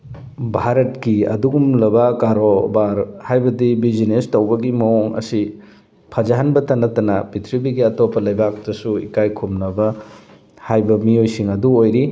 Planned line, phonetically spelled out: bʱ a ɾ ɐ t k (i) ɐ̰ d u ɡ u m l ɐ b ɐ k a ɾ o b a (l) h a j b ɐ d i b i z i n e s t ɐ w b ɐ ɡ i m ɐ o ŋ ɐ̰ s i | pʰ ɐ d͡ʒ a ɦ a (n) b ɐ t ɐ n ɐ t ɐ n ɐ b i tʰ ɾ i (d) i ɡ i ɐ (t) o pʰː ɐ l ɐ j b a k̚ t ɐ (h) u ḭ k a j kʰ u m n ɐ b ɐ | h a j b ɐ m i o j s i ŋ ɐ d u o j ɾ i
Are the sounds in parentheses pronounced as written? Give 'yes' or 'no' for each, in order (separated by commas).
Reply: yes, no, yes, no, yes, no